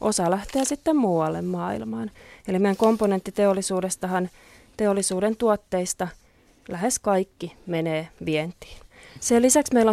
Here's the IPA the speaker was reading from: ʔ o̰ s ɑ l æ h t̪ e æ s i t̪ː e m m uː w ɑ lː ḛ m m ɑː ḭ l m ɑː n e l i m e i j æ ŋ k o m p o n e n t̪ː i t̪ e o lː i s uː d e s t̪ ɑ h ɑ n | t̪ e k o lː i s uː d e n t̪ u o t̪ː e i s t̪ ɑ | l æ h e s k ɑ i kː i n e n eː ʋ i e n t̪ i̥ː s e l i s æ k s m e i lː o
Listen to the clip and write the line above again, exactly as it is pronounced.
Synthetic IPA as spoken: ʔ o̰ s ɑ l æ h t̪ e æ s i t̪ː e m m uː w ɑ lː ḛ m m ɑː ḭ l m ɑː n e l i m e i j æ ŋ k o m p o n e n t̪ː i t̪ e o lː i s uː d e s t̪ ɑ h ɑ n | t̪ e o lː i s uː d e n t̪ u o t̪ː e i s t̪ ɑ | l æ h e s k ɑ i kː i m e n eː ʋ i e n t̪ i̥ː s e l i s æ k s m e i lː o